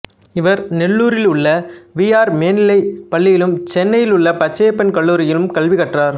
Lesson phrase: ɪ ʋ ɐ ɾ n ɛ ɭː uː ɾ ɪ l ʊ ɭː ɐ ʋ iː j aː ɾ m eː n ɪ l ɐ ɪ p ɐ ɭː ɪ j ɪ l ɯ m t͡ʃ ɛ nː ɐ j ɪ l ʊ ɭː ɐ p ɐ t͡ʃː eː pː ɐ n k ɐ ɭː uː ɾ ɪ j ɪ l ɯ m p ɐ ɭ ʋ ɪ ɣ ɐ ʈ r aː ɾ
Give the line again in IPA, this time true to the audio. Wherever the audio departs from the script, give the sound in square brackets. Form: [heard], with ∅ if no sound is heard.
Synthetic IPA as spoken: ɪ ʋ ɐ ɾ n ɛ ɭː uː ɾ ɪ l ʊ ɭː ɐ ʋ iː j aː ɾ m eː n ɪ l ɐ ɪ p ɐ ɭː ɪ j ɪ l ɯ m t͡ʃ ɛ nː ɐ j ɪ l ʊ ɭː ɐ p ɐ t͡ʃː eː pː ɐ n k ɐ ɭː uː ɾ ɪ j ɪ l ɯ m [k] ɐ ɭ ʋ ɪ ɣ ɐ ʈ r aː ɾ